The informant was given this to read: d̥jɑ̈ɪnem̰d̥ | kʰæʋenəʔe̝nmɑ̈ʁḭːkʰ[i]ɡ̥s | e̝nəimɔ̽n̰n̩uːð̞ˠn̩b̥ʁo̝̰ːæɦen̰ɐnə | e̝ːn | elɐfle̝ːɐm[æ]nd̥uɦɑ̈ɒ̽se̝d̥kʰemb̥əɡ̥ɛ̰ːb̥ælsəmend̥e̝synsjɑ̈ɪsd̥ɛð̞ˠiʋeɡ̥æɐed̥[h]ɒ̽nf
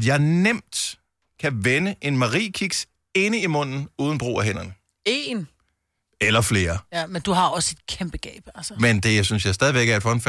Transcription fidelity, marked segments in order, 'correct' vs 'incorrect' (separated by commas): correct, incorrect, incorrect